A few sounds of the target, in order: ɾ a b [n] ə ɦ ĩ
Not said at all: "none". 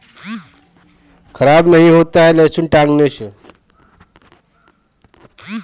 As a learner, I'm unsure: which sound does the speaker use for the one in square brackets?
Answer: n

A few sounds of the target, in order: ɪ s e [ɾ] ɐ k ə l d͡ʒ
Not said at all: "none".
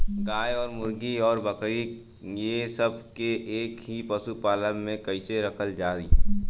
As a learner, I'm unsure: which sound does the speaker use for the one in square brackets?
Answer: ɾ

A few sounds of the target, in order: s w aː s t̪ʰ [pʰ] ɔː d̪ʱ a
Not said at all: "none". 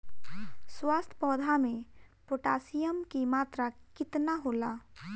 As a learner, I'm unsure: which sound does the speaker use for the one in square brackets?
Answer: p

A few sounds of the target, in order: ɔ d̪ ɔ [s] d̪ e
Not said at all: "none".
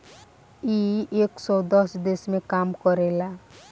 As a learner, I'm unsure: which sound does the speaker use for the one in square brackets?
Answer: s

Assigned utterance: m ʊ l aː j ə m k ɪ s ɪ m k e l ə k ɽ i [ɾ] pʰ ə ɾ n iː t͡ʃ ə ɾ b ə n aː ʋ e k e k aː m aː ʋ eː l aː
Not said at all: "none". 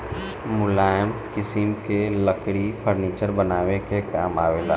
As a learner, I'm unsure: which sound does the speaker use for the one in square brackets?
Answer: none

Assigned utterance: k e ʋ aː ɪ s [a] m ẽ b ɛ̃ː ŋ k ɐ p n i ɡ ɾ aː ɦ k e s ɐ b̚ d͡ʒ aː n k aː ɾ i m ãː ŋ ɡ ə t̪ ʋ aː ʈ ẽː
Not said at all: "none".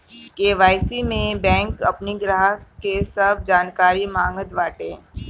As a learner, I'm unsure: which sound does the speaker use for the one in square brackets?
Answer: i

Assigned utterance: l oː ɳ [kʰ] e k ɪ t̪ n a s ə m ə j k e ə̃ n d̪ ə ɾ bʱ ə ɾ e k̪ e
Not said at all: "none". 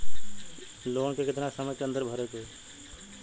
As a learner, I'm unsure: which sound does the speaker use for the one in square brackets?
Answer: k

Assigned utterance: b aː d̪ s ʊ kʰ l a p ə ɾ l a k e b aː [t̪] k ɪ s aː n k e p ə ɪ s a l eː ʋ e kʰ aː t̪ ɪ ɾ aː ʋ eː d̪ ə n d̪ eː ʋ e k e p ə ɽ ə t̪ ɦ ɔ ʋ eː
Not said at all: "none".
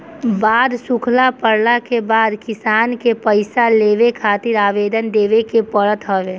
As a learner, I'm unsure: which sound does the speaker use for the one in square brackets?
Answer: d̪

